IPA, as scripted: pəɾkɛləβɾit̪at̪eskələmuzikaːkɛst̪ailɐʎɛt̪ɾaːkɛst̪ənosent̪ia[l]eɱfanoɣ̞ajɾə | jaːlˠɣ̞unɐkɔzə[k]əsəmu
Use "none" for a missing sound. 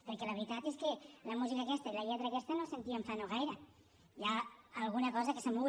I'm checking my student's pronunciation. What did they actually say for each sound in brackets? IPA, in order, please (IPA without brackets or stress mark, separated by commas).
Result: none, k